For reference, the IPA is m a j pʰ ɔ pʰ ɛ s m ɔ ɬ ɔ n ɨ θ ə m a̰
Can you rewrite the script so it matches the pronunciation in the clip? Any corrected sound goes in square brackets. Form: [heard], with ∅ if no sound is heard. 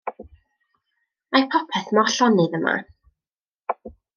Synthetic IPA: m a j pʰ ɔ pʰ ɛ [θ] m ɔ ɬ ɔ n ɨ [ð] ə m a̰